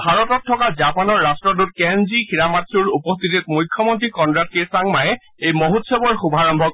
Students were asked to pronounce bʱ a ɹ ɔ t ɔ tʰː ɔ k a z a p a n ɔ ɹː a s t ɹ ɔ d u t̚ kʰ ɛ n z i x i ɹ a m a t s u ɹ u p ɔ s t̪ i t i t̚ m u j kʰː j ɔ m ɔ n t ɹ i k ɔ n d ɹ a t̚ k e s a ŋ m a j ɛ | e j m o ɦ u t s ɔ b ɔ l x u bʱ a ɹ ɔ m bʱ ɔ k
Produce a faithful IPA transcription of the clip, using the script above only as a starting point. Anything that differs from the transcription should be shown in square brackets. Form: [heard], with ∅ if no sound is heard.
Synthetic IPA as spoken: bʱ a ɹ ɔ t ɔ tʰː ɔ k a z a p a n ɔ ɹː a s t ɹ ɔ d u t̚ [k] ɛ n z i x i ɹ a m a t s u ɹ u p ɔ s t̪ i t i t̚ m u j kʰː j ɔ m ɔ n t ɹ i k ɔ n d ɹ a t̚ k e s a ŋ m a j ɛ | e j m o ɦ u t s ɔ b ɔ [ɹ] x u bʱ a ɹ ɔ m bʱ ɔ k